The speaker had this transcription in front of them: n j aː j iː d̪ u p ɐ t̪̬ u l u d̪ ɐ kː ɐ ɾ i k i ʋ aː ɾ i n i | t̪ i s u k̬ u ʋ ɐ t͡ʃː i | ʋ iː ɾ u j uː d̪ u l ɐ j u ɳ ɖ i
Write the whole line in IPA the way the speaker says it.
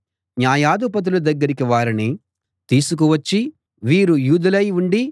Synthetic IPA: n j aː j aː d̪ u p ɐ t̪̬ u l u d̪ ɐ ɡː ɐ ɾ i k i ʋ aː ɾ i n i | t̪ iː s u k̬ u ʋ ɐ t͡ʃː i | ʋ iː ɾ u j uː d̪ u l ɐ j u ɳ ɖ i